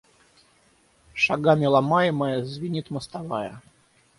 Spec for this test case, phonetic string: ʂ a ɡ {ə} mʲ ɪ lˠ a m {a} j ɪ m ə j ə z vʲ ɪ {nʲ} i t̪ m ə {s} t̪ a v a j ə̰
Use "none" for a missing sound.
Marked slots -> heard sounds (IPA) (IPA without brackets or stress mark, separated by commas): a, a, nʲ, s